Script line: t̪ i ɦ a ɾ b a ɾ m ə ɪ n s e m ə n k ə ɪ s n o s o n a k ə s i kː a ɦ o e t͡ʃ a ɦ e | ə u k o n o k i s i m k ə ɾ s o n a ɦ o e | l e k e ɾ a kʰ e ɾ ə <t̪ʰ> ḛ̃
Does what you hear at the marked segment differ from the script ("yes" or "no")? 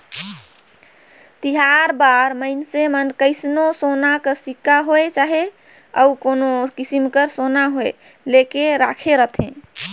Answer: no